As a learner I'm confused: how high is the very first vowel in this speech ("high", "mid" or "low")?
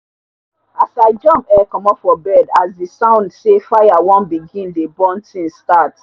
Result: low